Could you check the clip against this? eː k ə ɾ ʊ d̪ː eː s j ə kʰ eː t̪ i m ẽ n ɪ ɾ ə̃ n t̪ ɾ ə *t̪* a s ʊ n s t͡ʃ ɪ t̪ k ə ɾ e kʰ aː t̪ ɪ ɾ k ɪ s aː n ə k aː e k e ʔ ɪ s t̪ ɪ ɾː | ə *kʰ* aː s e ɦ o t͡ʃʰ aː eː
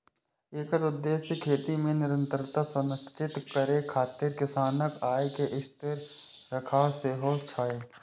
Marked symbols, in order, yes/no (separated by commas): yes, yes